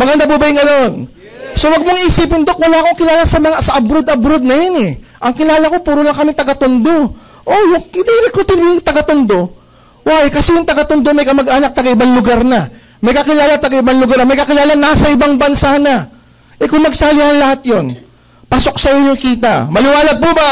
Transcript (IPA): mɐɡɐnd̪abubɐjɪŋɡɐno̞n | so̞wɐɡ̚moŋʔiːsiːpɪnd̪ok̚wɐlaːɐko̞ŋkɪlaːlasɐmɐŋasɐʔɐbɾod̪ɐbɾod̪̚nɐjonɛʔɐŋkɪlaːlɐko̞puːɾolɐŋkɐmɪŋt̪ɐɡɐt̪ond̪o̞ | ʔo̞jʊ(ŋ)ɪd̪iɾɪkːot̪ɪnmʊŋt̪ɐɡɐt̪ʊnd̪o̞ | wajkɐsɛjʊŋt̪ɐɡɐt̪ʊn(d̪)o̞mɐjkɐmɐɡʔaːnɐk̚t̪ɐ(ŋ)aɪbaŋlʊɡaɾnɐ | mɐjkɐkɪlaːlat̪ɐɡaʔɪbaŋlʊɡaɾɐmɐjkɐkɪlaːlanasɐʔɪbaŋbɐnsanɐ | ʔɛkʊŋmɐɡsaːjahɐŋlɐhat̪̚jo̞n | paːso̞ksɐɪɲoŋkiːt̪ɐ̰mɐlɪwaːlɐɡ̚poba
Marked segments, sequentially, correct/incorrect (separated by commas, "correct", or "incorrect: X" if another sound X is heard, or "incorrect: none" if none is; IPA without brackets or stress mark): correct, correct, incorrect: ɡ